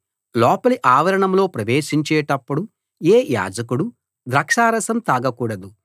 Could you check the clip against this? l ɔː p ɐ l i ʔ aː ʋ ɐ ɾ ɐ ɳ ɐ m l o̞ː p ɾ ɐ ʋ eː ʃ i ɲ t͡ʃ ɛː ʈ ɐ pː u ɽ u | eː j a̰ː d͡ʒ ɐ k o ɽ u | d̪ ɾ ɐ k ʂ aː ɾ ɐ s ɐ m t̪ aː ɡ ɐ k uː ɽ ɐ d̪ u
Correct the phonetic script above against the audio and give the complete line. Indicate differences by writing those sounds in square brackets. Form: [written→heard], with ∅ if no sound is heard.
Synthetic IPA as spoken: l ɔː p ɐ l i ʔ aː ʋ ɐ ɾ ɐ ɳ ɐ m l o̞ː p ɾ ɐ ʋ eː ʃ i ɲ t͡ʃ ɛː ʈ ɐ pː u ɽ u | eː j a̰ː d͡ʒ ɐ k [o→u] ɽ u | d̪ ɾ ɐ k ʂ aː ɾ ɐ s ɐ m t̪ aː ɡ ɐ k uː ɽ ɐ d̪ u